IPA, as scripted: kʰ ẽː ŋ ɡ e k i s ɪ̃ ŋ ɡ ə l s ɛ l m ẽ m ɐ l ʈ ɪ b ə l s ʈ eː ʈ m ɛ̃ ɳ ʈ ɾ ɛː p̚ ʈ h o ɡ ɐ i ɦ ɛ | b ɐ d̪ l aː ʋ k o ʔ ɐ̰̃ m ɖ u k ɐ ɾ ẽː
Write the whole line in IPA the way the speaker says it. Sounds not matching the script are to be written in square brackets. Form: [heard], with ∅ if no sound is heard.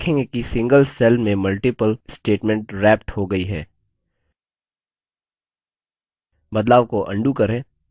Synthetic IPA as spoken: kʰ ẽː ŋ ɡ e k i s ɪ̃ ŋ ɡ ə l s ɛ l m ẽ m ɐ l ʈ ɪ [p] ə l s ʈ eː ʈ m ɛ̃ ɳ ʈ ɾ ɛː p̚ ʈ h o ɡ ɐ i ɦ [ɛː] | b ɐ d̪ l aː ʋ k o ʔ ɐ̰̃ [ɳ] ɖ u k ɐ ɾ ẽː